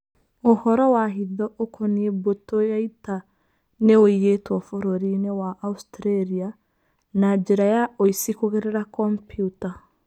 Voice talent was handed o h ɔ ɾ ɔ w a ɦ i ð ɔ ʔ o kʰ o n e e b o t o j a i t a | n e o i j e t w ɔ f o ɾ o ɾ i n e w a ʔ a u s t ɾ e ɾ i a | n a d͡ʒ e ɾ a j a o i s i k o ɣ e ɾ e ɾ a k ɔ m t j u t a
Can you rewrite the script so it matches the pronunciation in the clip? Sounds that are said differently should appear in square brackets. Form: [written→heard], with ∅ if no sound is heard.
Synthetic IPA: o h ɔ ɾ ɔ w a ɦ i ð ɔ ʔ o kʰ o n [e→i] e b o t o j a i t a | n e o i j e t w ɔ f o ɾ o ɾ i n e w a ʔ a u s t ɾ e ɾ i a | n a d͡ʒ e ɾ a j a o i s i k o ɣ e ɾ e ɾ a k ɔ m [t→p] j u t a